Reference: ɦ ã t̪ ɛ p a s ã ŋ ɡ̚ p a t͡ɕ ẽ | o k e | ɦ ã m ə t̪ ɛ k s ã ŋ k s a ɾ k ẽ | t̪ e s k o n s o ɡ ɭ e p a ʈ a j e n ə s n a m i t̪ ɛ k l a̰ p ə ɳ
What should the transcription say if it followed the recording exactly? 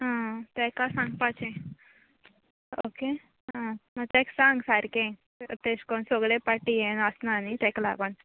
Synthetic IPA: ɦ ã t̪ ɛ k a s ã ŋ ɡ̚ p a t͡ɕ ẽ | o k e | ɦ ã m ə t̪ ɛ k s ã ŋ ɡ s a ɾ k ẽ | t̪ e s k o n s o ɡ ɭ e p a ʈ i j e n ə s n a n i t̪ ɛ k l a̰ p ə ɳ